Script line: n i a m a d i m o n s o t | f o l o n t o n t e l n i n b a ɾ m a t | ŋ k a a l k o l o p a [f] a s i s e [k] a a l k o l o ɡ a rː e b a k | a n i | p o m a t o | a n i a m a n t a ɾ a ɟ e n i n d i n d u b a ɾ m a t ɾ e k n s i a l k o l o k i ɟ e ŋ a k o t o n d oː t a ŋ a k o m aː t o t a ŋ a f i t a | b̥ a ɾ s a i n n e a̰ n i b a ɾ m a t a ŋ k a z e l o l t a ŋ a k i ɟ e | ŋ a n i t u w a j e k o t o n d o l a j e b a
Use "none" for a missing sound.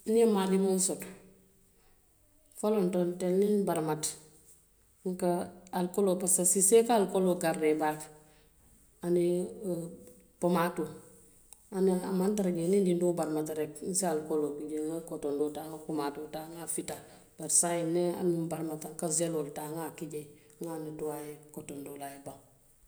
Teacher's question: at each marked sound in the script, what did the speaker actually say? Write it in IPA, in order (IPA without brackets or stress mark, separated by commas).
s, k